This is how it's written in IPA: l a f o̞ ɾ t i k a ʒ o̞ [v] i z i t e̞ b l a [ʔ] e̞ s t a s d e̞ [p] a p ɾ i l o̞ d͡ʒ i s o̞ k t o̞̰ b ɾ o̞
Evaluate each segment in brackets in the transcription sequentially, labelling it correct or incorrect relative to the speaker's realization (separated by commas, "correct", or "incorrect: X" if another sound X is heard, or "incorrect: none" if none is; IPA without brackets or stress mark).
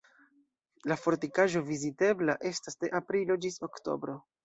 correct, correct, incorrect: ʔ